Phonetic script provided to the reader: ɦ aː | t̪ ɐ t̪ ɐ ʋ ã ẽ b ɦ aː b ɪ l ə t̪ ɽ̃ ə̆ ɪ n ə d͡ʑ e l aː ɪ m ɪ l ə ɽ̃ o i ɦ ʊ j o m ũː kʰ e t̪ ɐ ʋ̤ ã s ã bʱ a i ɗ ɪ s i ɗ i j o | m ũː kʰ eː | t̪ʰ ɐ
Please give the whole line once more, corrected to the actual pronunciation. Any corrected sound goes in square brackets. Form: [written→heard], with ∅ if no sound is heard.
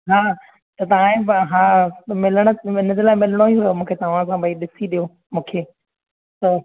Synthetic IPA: ɦ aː | t̪ ɐ t̪ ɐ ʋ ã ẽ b ɦ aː [b→m] ɪ l ə [t̪→∅] ɽ̃ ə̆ ɪ n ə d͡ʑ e l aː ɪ m ɪ l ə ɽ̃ o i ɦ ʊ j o m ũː kʰ e t̪ ɐ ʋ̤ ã s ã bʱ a i ɗ ɪ s i ɗ i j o | m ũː kʰ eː | [t̪ʰ→t̪] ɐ